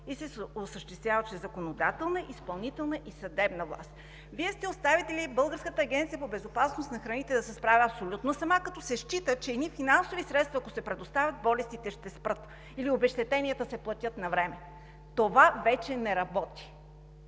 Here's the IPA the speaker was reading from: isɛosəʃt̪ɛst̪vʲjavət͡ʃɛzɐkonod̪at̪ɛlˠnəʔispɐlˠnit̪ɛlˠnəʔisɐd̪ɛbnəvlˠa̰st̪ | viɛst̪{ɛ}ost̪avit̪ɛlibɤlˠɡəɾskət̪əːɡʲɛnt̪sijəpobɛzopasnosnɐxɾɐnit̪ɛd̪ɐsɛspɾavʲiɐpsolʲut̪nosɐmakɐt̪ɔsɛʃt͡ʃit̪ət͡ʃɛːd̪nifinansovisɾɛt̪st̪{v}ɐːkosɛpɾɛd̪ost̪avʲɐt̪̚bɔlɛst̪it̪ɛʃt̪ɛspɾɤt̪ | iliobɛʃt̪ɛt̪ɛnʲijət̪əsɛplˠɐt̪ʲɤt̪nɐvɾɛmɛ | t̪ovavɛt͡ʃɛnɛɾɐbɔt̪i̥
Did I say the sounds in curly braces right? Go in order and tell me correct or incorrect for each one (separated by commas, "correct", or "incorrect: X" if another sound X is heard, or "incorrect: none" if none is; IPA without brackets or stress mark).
correct, correct